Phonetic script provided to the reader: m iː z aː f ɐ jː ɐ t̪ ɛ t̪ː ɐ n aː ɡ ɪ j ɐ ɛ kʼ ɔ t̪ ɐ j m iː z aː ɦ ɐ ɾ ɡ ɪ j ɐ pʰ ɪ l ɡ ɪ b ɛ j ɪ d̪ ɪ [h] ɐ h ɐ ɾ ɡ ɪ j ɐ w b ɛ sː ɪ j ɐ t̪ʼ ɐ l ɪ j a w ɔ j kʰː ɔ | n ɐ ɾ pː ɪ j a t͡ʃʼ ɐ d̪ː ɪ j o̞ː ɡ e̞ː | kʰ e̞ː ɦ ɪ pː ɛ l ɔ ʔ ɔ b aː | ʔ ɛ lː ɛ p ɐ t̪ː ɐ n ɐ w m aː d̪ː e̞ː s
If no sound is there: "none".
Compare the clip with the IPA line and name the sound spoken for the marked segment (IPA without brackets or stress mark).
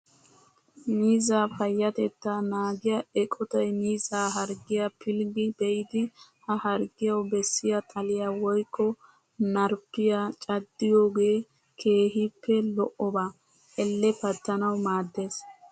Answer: h